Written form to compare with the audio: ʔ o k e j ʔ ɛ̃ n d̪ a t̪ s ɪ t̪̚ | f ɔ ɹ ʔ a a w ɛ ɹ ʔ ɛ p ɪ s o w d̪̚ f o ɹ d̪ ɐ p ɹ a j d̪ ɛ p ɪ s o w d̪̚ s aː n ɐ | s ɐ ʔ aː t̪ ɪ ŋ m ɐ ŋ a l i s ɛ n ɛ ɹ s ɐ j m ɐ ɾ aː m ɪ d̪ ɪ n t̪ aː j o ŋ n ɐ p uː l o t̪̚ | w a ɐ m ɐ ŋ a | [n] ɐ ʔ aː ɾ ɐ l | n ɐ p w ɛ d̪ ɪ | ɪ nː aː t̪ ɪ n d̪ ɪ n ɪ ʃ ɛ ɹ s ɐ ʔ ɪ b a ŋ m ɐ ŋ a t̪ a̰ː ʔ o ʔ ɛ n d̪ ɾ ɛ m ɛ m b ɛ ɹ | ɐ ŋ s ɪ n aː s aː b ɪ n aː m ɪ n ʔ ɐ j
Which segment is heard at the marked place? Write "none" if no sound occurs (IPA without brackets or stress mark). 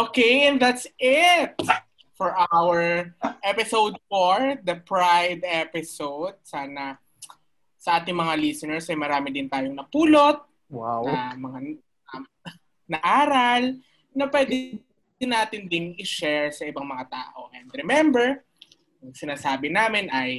n